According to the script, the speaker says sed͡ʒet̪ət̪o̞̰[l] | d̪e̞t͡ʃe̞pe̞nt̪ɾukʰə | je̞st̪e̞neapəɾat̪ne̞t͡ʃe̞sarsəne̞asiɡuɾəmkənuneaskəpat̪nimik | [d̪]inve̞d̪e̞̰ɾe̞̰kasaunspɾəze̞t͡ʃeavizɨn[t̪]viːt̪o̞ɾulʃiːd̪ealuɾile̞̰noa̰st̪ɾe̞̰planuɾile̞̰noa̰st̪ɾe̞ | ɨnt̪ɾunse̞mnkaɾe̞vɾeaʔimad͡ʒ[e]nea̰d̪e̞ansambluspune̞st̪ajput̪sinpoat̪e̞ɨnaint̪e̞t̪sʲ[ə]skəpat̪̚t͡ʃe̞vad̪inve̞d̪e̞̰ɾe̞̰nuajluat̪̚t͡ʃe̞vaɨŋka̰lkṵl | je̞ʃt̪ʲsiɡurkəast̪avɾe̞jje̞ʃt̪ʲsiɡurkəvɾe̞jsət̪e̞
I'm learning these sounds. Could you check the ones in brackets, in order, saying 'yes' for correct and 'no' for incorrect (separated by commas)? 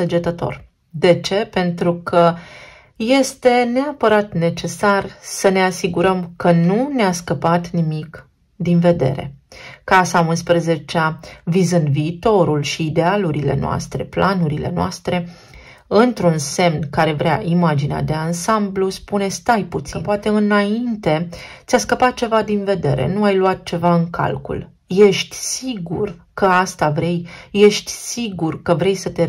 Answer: no, yes, no, no, no